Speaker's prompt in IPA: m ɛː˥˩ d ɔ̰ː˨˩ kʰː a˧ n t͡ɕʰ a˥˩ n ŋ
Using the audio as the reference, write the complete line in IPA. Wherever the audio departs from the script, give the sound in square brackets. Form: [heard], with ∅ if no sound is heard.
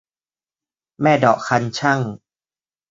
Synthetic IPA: m ɛː˥˩ d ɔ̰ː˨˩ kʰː a˧ n t͡ɕʰ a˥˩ [∅] ŋ